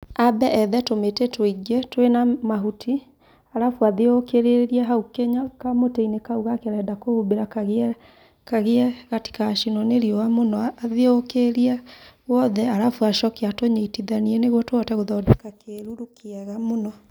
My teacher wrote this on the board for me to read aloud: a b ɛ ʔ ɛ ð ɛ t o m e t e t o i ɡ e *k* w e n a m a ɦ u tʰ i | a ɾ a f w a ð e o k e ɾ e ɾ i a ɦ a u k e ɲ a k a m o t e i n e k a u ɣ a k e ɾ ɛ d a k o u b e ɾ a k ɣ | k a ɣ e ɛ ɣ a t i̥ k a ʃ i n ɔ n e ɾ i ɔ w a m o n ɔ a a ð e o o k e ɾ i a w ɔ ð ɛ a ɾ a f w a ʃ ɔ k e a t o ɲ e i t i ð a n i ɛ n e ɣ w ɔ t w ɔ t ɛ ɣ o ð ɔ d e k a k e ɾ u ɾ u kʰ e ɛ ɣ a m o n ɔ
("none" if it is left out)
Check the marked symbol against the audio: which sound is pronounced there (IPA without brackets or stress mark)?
t